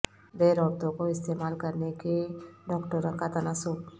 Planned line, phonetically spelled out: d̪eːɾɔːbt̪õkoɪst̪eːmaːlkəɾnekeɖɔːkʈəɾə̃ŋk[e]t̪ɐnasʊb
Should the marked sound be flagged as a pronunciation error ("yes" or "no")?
yes